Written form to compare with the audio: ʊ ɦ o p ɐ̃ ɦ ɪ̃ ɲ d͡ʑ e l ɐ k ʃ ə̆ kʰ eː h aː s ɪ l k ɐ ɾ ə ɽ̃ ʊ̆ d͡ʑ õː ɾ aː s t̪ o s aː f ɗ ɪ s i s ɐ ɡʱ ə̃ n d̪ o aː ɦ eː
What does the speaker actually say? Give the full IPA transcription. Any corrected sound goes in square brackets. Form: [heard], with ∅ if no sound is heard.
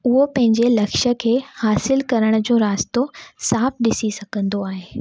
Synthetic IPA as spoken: ʊ ɦ o p ɐ̃ ɦ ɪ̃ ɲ d͡ʑ e l ɐ k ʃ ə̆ kʰ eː h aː s ɪ l k ɐ ɾ ə ɽ̃ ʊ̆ d͡ʑ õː ɾ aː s t̪ o s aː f ɗ ɪ s i s ɐ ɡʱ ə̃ n d̪ o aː ɦ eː